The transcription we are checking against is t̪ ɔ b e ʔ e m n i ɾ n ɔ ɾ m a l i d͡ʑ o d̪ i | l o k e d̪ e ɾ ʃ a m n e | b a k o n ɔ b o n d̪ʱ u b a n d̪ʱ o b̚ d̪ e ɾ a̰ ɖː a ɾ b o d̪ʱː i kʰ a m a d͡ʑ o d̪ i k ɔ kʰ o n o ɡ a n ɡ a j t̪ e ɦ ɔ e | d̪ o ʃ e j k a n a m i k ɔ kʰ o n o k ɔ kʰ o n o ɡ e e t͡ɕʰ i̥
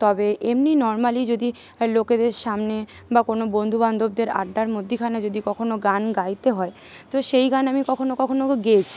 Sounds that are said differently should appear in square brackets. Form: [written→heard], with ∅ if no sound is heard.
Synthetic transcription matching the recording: t̪ ɔ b e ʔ e m n i [ɾ→∅] n ɔ ɾ m a l i d͡ʑ o d̪ i | l o k e d̪ e ɾ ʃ a m n e | b a k o n [ɔ→o] b o n d̪ʱ u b a n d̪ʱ o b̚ d̪ e ɾ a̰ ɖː a ɾ [b→m] o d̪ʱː i kʰ a [m→n] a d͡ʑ o d̪ i k ɔ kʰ o n o ɡ a n ɡ a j t̪ e ɦ ɔ e | [d̪→t̪] o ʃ e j [k→ɡ] a n a m i k ɔ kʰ o n o k ɔ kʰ o n o ɡ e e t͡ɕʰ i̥